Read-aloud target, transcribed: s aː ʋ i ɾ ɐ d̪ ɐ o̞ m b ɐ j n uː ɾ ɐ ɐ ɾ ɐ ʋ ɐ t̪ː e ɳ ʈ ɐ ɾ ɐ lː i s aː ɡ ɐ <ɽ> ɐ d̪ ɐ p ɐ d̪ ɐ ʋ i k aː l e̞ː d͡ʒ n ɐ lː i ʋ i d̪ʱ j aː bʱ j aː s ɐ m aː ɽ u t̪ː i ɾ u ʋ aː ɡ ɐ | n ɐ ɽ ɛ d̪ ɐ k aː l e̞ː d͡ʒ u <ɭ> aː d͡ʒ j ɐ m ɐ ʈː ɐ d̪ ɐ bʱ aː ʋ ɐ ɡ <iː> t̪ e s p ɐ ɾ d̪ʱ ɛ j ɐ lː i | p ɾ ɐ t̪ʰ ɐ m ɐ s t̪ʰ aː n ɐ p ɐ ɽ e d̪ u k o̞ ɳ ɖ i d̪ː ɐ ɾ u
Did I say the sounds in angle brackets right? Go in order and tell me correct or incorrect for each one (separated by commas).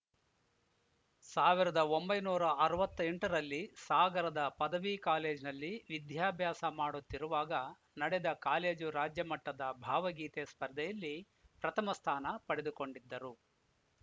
incorrect, incorrect, correct